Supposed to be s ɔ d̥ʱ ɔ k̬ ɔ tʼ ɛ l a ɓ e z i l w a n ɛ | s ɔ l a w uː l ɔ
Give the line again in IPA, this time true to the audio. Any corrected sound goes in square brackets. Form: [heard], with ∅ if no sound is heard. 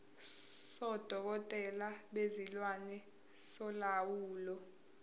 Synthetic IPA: s ɔ d̥ʱ ɔ k̬ ɔ tʼ ɛ l a ɓ e z i l w a n ɛ | s ɔ l a w uː l ɔ